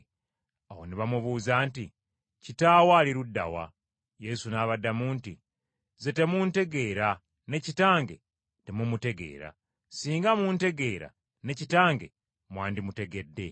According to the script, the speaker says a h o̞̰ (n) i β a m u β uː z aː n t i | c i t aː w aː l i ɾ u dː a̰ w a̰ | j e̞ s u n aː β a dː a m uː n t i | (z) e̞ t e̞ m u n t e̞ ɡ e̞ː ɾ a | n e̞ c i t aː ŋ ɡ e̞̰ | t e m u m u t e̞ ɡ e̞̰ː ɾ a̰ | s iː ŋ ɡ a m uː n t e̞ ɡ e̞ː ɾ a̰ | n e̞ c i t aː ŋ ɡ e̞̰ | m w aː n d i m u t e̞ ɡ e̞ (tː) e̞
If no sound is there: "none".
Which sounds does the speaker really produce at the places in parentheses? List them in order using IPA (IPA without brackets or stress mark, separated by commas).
n, z, dː